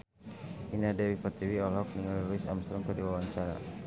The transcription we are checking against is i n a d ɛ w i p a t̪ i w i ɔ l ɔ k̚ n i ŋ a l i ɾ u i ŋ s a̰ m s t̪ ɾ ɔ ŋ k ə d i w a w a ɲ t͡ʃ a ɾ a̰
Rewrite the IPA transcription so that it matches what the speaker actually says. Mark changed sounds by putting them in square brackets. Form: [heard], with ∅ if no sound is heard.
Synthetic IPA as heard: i n a d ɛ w i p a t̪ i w i ɔ l ɔ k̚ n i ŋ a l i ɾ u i [∅] s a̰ m s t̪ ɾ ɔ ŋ k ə d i w a w a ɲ t͡ʃ a ɾ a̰